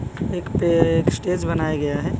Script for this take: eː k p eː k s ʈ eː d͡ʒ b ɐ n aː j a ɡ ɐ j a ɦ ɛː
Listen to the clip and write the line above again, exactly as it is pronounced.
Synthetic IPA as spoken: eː k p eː k s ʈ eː d͡ʒ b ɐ n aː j a ɡ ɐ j a ɦ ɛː